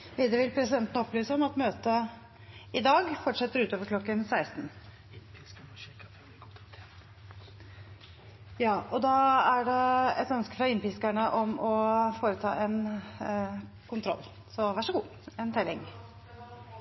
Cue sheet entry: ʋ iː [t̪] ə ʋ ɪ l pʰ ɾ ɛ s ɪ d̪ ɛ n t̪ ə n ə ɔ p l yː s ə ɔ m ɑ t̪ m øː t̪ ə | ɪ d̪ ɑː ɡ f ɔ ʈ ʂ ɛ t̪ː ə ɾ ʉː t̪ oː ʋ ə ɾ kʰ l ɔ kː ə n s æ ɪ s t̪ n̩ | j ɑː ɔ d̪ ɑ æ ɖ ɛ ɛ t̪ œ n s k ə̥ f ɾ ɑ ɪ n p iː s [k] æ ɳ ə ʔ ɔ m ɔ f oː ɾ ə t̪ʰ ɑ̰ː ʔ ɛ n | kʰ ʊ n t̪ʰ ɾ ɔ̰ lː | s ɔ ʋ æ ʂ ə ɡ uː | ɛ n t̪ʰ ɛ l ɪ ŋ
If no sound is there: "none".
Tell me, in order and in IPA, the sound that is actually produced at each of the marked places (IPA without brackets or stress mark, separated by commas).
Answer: d̪, k